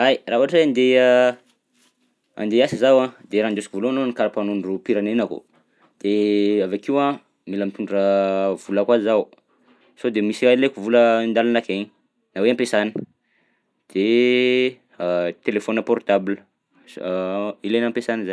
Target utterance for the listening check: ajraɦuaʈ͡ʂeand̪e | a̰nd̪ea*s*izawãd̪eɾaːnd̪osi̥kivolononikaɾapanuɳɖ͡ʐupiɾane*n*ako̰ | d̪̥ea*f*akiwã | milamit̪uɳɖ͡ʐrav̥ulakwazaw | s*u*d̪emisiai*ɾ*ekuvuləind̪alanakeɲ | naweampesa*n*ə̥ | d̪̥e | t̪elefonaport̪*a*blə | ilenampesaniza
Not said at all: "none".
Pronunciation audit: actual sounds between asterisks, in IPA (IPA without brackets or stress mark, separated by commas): s, n, v, o, l, n, a